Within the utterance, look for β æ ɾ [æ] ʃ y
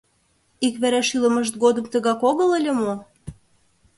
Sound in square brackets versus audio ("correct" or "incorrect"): correct